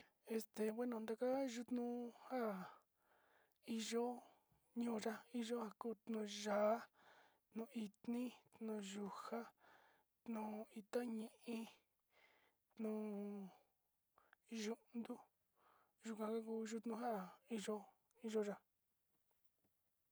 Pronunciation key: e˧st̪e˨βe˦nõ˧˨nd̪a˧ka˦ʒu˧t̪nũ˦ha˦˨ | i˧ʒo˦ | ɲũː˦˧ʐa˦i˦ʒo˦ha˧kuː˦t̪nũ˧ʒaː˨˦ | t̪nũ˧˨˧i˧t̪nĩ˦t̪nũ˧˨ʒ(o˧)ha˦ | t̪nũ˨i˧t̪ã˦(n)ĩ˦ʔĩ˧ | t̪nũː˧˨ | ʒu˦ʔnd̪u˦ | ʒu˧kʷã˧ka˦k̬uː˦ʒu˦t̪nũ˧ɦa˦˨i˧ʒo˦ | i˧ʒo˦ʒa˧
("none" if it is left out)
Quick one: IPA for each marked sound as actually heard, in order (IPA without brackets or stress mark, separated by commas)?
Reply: u˧, ɲ